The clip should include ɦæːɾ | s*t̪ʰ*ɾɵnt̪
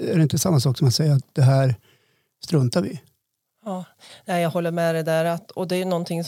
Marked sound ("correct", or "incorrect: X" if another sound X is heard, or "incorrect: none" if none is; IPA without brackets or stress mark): incorrect: t̪